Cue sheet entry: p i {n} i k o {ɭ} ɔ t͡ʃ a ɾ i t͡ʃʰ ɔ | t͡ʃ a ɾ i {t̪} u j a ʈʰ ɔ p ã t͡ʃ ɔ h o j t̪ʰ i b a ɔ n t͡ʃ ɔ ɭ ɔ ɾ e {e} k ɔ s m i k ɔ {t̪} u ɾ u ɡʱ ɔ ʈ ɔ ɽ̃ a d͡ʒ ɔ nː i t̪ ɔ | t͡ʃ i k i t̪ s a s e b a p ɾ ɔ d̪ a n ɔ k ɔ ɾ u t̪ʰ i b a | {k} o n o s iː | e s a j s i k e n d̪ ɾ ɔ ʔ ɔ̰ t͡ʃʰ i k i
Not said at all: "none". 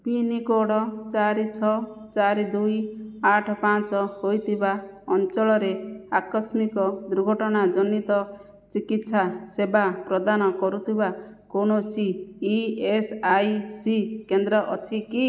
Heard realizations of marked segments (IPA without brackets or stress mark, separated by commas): n, ɽ, d̪, a, d̪, k